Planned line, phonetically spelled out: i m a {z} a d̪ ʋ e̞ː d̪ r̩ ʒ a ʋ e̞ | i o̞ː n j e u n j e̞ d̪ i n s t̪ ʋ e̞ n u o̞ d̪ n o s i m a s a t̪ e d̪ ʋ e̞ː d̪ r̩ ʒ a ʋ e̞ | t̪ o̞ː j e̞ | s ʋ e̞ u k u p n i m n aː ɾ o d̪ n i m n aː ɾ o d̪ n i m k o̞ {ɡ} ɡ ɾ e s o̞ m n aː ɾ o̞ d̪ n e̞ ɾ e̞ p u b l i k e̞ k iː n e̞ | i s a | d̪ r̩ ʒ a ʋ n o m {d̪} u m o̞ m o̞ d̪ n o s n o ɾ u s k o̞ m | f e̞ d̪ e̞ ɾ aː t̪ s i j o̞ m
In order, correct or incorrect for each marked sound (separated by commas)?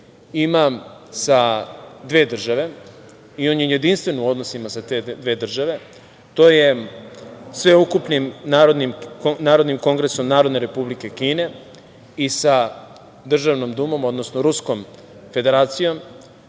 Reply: incorrect, incorrect, correct